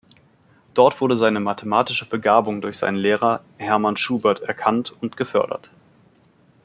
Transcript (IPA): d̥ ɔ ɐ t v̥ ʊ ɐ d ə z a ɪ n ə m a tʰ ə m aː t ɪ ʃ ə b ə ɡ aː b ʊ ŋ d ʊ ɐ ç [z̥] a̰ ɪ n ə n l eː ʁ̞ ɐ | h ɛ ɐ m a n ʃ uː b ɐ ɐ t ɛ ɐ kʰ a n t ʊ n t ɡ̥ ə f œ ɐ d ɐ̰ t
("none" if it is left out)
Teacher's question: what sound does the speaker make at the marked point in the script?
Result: z̥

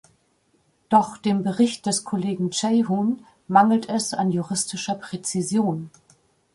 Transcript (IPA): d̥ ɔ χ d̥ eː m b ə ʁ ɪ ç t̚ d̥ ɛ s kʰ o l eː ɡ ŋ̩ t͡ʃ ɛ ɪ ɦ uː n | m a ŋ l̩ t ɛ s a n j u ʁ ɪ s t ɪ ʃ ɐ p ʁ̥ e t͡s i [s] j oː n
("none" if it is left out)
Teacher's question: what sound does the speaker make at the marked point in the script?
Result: z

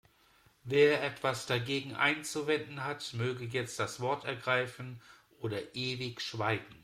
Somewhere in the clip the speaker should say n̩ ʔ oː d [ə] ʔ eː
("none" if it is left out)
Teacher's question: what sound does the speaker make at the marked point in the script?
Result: ɐ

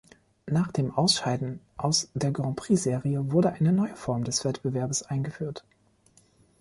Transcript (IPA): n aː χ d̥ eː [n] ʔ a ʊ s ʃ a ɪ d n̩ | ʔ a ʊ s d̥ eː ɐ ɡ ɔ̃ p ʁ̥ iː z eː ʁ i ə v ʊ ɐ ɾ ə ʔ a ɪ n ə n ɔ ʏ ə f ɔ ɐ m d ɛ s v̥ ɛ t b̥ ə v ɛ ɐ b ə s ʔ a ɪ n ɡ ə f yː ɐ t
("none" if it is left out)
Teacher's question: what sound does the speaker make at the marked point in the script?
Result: m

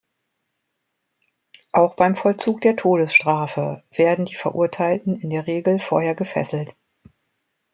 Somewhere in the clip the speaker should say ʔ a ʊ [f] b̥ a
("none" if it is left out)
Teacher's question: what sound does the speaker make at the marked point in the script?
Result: x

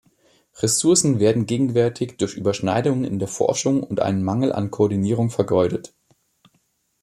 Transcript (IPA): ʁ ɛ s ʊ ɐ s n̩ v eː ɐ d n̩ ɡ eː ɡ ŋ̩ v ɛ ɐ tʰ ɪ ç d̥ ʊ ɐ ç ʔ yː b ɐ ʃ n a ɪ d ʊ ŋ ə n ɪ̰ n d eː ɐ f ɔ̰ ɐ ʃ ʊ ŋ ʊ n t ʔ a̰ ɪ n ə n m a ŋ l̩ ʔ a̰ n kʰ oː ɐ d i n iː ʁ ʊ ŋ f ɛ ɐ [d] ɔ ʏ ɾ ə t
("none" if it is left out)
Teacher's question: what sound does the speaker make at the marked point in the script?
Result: ɡ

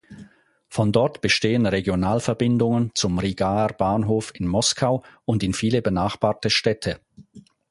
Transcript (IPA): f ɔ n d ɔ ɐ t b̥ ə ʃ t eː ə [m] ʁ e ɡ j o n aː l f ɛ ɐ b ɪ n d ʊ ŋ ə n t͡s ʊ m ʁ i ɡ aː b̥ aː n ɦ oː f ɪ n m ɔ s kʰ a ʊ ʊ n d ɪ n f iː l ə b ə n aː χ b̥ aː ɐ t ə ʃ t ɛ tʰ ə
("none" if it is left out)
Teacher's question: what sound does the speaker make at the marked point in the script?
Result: n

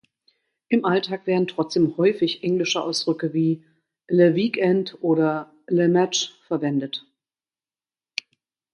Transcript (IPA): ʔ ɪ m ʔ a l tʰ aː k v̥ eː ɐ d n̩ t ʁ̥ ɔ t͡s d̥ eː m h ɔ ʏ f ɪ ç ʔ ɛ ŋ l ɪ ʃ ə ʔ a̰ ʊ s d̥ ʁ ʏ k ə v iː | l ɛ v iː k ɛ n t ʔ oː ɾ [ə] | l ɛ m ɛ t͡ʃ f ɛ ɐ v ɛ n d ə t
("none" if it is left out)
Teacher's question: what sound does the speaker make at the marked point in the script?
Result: ɐ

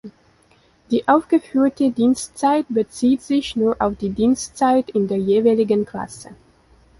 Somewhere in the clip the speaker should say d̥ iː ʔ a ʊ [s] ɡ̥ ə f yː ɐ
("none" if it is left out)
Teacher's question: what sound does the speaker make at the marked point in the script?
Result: f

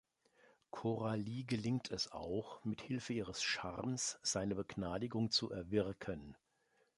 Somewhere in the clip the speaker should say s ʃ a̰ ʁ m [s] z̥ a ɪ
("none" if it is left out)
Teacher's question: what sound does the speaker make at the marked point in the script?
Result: s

